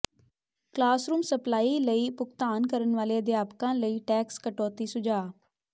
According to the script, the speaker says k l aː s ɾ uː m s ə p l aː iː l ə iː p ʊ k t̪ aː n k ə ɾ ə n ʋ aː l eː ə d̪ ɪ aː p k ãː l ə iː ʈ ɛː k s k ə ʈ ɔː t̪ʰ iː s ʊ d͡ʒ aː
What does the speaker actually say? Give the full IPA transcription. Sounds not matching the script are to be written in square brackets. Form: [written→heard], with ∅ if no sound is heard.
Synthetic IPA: k l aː s ɾ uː m s ə p l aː iː l ə iː p ʊ k t̪ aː n k ə ɾ ə n ʋ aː l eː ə d̪ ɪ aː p k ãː l ə iː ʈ ɛː k s k ə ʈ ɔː [t̪ʰ→t̪] iː s ʊ d͡ʒ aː